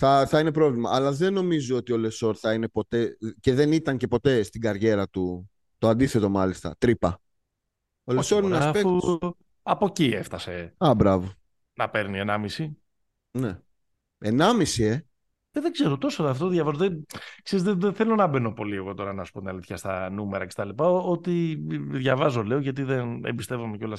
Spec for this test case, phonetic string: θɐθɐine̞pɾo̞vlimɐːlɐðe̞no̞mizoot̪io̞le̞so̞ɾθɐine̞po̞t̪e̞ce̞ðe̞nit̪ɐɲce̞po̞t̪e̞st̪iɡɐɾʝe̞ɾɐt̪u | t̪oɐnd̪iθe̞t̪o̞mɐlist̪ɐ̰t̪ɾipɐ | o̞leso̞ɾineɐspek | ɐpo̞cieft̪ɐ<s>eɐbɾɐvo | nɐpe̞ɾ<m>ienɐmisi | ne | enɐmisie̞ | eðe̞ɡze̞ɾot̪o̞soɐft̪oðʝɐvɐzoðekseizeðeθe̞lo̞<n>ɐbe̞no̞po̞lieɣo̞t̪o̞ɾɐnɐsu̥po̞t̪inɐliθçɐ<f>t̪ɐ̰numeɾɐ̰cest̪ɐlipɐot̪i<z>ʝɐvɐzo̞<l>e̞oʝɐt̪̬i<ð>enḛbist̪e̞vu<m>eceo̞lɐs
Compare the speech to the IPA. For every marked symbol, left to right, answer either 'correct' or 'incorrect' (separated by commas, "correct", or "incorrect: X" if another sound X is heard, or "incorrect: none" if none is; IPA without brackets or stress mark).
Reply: correct, incorrect: n, correct, incorrect: s, incorrect: ð, correct, correct, correct